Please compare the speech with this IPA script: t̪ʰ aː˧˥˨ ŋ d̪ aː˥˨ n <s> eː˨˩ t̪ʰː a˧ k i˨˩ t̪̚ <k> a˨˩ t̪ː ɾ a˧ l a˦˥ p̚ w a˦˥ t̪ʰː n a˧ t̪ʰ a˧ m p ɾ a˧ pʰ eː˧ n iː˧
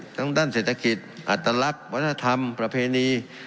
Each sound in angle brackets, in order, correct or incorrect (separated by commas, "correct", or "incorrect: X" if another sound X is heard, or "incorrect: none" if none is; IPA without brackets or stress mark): correct, incorrect: ʔ